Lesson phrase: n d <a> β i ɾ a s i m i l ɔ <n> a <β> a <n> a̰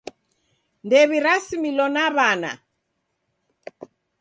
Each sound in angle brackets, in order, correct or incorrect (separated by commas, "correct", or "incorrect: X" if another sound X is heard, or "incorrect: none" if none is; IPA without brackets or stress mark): incorrect: ɛ, correct, correct, correct